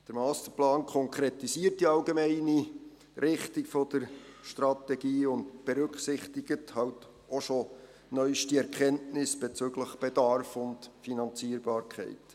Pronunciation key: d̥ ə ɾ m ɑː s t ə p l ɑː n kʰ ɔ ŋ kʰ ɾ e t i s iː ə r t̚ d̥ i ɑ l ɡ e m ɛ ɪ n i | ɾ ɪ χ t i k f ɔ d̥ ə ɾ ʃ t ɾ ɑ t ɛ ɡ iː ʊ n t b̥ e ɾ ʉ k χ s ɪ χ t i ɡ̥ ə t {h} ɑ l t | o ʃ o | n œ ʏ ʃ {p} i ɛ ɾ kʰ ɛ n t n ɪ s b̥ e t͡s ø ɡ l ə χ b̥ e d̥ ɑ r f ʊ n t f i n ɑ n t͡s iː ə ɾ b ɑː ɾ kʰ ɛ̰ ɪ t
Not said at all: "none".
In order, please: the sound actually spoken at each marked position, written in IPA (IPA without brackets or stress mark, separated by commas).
h, t